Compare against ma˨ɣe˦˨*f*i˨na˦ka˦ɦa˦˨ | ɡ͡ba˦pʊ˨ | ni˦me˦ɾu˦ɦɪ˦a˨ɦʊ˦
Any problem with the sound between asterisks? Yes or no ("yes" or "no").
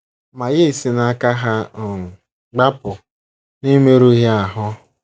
yes